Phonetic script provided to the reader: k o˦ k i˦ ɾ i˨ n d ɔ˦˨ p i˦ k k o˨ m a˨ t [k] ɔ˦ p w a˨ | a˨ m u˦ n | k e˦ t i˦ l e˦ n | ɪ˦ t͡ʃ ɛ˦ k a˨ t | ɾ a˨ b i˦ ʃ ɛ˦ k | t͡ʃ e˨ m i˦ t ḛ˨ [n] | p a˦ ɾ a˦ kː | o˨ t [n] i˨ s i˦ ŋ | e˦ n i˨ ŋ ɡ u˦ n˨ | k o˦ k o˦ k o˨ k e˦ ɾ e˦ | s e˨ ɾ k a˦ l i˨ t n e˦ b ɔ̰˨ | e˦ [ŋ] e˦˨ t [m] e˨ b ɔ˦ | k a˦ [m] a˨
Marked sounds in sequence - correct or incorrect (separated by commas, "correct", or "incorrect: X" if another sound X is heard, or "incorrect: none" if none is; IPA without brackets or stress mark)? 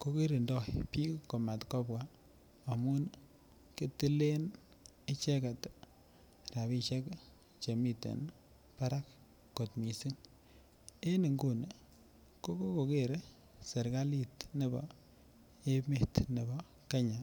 correct, correct, incorrect: m, incorrect: m, incorrect: n, incorrect: ɲ